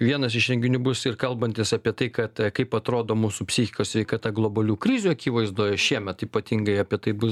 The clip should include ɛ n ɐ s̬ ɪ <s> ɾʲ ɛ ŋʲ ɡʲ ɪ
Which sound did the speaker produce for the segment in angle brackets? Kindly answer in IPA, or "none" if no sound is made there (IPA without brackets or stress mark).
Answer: ʃ